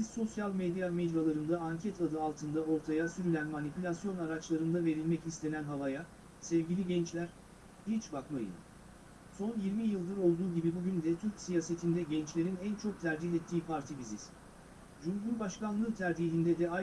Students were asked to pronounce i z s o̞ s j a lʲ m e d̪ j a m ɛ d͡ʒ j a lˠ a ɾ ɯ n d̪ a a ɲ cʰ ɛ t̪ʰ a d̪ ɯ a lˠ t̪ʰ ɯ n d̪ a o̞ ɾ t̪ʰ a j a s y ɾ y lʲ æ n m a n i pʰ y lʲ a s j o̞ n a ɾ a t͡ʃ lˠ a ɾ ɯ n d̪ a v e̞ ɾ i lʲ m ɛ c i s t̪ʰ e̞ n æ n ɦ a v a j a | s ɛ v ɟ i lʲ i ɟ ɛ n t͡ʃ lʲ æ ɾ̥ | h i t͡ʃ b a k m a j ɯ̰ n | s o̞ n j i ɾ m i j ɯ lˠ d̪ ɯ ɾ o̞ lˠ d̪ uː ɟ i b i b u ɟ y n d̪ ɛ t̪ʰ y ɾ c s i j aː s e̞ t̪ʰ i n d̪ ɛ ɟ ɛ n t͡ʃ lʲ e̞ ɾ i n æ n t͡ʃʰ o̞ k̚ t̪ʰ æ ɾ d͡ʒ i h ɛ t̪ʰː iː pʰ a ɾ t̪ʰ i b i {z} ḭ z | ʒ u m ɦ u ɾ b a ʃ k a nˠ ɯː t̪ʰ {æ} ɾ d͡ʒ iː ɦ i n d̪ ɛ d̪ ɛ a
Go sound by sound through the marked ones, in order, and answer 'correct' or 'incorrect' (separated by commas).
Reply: correct, correct